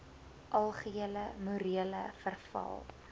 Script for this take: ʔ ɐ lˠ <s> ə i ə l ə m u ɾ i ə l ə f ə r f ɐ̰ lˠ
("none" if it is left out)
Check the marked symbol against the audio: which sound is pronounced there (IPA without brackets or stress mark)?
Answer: χ